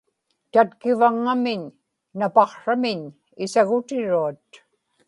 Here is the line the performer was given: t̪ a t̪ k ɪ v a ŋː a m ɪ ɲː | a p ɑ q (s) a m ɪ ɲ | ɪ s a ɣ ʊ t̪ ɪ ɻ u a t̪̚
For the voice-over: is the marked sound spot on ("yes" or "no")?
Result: no